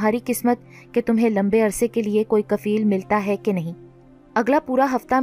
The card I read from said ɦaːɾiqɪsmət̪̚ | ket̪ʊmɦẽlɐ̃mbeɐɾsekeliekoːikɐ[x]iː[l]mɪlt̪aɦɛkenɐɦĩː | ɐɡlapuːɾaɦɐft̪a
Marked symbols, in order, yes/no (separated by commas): no, yes